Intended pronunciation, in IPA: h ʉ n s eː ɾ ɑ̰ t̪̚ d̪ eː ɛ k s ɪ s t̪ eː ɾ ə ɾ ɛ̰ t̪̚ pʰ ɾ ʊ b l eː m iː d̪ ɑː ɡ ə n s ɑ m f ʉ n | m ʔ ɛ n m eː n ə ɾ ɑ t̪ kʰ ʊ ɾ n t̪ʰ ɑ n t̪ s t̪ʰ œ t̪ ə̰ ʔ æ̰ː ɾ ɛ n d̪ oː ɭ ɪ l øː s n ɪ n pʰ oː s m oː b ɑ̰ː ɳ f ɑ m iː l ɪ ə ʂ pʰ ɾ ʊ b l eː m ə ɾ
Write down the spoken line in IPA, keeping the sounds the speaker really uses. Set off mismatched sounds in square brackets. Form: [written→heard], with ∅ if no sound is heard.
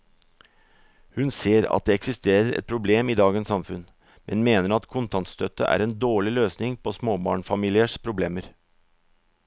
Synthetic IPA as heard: h ʉ n s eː ɾ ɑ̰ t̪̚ d̪ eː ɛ k s ɪ s t̪ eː ɾ ə ɾ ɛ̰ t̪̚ pʰ ɾ ʊ b l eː m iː d̪ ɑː ɡ ə n s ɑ m f ʉ n | m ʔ ɛ n m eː n ə ɾ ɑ t̪ kʰ ʊ [ɾ→∅] n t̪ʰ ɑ n t̪ s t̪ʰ œ t̪ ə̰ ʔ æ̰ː ɾ ɛ n d̪ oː ɭ ɪ l øː s n ɪ [n→ŋ] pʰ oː s m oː b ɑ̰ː ɳ f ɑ m iː l ɪ ə ʂ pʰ ɾ ʊ b l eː m ə ɾ